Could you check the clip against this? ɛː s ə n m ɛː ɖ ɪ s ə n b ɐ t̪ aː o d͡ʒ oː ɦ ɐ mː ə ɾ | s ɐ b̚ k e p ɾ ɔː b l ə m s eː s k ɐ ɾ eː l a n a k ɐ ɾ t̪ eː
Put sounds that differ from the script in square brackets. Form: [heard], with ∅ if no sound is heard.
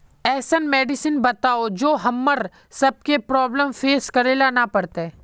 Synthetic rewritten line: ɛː s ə n m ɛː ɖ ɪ s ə n b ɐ t̪ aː o d͡ʒ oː ɦ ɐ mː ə ɾ | s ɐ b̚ k e p ɾ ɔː b l ə m [f] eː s k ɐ ɾ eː l a n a [p] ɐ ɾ t̪ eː